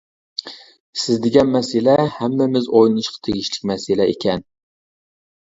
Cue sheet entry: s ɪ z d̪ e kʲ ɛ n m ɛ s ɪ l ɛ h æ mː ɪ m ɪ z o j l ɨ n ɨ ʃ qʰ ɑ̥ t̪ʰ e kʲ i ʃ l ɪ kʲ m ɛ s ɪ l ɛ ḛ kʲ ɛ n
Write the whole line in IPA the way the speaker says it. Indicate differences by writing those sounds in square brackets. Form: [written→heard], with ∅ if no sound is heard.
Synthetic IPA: s ɪ z d̪ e [kʲ→ɡʲ] ɛ n m ɛ s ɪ l ɛ h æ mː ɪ m ɪ z o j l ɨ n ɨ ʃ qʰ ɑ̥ t̪ʰ e [kʲ→ɡʲ] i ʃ l ɪ kʲ m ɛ s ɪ l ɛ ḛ kʲ ɛ n